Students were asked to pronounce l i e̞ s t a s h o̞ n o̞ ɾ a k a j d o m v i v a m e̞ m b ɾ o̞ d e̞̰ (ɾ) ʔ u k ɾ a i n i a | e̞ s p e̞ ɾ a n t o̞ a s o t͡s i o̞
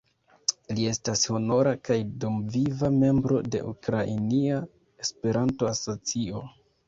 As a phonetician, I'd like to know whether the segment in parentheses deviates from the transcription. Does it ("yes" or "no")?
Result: yes